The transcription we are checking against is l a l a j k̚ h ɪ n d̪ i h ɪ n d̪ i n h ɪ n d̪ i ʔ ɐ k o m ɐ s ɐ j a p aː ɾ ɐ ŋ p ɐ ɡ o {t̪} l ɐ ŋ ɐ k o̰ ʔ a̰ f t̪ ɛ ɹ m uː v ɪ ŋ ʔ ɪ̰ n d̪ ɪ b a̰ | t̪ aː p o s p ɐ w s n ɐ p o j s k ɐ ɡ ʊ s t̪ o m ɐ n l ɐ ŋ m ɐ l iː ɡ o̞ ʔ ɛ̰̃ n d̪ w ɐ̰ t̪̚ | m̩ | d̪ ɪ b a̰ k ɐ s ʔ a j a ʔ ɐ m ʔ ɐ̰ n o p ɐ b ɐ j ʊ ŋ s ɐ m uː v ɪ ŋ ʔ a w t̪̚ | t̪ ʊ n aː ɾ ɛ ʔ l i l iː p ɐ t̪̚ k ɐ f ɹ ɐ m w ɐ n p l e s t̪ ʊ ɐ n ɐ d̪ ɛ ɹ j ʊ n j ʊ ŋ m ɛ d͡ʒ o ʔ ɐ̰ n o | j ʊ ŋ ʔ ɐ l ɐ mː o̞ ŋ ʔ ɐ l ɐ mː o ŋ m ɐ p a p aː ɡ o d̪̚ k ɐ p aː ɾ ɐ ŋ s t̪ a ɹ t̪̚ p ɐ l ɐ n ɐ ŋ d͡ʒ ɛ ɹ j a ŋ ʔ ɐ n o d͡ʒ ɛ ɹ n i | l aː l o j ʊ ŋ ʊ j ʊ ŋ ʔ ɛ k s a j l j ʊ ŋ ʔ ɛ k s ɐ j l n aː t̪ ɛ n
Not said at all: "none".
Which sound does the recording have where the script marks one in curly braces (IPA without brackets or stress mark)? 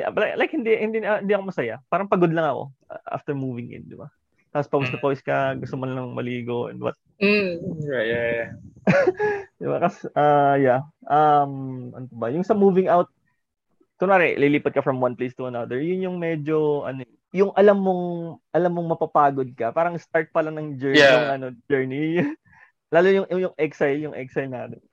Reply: d̪